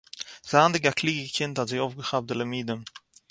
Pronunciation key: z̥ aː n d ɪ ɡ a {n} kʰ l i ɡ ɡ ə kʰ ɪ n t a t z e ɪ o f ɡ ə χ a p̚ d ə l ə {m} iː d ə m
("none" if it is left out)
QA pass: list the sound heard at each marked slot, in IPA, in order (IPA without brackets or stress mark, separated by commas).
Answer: none, m